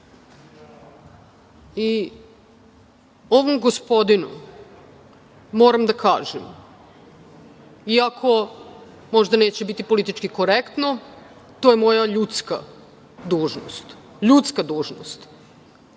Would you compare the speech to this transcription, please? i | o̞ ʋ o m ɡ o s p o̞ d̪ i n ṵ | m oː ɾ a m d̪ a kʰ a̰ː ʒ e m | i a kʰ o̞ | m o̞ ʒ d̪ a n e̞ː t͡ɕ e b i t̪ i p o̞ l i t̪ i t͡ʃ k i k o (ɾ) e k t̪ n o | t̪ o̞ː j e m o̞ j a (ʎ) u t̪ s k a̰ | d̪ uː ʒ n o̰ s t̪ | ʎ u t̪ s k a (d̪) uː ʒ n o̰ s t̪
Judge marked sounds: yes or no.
yes, yes, yes

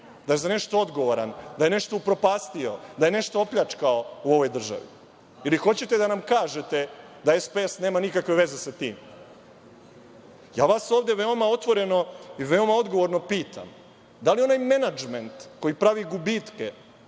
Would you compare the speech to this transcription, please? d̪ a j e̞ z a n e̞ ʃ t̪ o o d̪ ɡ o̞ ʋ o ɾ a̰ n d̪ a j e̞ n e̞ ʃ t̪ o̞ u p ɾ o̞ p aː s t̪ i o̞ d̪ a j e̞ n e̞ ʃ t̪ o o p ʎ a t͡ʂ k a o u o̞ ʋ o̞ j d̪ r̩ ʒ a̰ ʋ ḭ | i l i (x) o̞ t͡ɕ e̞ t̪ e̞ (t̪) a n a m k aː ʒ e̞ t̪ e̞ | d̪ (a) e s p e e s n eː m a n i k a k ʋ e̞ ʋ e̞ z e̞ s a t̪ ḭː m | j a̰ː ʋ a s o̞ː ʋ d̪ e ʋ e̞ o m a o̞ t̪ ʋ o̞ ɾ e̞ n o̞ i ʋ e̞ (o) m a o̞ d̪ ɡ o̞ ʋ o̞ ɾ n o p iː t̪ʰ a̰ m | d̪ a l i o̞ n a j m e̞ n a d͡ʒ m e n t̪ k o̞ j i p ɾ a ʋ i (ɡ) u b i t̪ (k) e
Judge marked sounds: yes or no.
yes, no, yes, yes, yes, yes

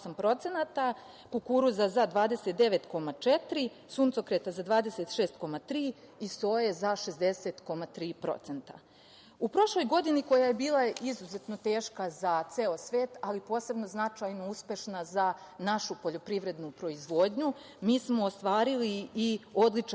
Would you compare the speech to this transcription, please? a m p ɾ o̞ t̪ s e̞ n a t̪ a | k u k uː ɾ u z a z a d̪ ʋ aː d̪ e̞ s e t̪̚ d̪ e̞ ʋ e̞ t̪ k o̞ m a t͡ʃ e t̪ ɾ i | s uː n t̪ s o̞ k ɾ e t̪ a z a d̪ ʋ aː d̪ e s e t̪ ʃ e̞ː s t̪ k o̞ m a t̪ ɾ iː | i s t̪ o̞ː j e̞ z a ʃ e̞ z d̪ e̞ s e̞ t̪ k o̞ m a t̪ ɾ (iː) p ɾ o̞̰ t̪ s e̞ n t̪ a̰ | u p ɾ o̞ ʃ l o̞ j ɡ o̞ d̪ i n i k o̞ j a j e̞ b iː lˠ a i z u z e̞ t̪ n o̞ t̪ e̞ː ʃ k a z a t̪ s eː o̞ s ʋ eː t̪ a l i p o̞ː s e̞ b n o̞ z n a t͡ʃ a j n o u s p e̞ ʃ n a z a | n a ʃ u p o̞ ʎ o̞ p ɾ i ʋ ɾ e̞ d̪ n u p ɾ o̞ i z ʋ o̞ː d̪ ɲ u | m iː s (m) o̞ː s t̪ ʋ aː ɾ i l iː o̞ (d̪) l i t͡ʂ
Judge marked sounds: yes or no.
yes, yes, yes

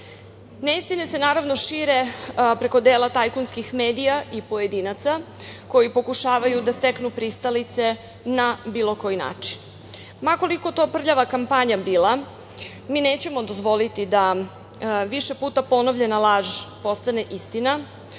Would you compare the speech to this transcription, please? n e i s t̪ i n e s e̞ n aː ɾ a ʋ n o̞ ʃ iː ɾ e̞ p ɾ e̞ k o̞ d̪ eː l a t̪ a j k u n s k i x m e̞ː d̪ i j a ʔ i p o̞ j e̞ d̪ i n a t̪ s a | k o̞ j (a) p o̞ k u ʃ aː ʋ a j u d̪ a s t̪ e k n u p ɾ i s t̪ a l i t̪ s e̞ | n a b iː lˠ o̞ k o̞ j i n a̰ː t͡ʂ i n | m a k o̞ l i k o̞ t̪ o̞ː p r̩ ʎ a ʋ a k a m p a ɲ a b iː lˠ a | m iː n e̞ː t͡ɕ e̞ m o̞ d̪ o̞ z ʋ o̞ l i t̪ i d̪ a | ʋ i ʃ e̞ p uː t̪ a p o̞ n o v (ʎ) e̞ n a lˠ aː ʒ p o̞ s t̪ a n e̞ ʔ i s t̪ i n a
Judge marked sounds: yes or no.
no, yes

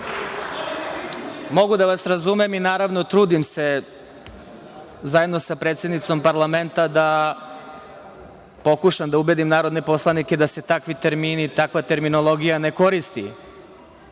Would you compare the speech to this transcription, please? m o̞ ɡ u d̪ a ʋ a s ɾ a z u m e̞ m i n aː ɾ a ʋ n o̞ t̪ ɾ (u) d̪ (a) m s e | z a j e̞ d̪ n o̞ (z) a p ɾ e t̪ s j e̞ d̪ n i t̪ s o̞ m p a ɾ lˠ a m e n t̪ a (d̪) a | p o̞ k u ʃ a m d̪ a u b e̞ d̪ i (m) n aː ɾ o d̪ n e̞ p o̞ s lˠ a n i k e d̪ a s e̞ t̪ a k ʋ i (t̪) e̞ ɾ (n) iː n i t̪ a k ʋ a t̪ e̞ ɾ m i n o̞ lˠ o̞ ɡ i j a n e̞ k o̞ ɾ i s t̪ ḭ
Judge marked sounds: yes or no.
no, no, no, yes, yes, yes, no

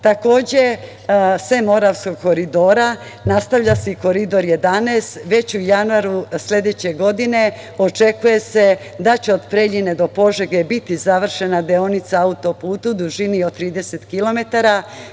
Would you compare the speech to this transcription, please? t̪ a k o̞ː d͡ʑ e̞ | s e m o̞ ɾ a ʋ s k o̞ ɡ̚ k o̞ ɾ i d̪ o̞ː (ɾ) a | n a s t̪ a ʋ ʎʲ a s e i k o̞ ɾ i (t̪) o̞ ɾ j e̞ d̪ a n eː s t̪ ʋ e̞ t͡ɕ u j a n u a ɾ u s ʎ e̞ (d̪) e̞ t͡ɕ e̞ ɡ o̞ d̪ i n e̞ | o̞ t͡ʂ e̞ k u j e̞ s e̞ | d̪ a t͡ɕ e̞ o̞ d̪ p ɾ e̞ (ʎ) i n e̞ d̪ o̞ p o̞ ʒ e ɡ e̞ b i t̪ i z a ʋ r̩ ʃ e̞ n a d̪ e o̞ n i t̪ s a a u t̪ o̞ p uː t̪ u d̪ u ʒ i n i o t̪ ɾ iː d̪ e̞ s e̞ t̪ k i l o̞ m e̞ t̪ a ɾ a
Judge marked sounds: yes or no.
yes, no, yes, yes

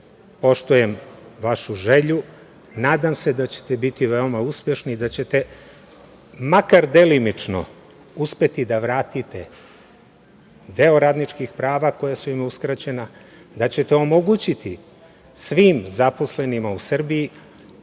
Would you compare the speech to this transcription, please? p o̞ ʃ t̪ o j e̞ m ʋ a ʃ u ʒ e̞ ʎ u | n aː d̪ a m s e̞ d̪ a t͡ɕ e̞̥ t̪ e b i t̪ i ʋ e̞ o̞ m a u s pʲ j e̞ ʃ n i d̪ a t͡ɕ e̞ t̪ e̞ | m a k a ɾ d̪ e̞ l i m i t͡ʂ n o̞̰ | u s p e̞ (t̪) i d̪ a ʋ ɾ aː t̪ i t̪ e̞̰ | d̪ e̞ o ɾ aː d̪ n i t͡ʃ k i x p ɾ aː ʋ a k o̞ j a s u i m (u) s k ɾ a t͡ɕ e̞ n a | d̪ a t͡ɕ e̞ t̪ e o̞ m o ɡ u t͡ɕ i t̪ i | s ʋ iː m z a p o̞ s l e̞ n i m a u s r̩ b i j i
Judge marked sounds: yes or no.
yes, yes

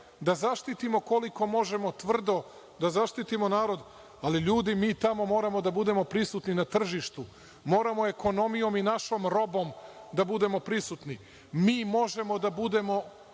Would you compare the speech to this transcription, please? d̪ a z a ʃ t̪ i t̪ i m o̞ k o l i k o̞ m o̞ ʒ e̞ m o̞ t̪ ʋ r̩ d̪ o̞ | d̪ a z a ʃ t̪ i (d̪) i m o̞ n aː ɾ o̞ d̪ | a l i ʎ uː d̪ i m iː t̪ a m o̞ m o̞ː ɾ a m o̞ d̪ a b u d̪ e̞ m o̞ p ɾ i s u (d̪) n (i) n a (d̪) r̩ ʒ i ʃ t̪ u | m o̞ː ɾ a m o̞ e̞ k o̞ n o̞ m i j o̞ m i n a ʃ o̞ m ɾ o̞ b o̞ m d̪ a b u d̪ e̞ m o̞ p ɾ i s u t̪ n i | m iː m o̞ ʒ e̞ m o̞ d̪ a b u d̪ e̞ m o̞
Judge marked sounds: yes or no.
no, no, yes, no

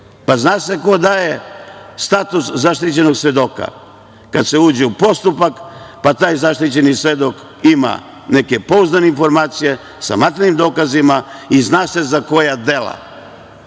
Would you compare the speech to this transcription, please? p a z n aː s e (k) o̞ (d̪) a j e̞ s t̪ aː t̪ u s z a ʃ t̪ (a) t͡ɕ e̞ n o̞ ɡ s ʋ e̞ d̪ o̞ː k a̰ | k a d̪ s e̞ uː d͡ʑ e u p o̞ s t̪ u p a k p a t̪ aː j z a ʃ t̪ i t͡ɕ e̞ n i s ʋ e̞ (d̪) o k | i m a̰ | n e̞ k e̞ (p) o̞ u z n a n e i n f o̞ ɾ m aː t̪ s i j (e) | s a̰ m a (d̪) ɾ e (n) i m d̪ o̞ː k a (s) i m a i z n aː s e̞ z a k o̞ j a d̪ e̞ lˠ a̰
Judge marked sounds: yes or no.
yes, yes, no, yes, yes, yes, no, yes, no

